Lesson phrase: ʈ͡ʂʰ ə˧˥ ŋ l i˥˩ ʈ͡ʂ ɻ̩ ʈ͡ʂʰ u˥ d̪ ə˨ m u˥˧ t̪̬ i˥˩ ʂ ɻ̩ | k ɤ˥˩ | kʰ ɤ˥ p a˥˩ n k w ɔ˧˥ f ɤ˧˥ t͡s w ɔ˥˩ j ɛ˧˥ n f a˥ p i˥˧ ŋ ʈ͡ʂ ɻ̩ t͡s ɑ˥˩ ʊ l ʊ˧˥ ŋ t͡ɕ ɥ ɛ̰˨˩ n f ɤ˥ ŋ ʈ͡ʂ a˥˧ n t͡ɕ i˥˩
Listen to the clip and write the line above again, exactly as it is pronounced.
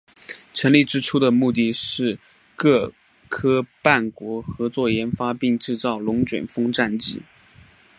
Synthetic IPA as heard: ʈ͡ʂʰ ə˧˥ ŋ l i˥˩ ʈ͡ʂ ɻ̩ ʈ͡ʂʰ u˥ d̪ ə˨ m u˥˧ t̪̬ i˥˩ ʂ ɻ̩ | k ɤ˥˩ | kʰ ɤ˥ p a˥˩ n k w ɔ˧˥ x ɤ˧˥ t͡s w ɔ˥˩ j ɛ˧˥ n f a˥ p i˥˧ ŋ ʈ͡ʂ ɻ̩ t͡s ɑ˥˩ ʊ l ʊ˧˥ ŋ t͡ɕ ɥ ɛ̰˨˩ n f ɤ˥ ŋ ʈ͡ʂ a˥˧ n t͡ɕ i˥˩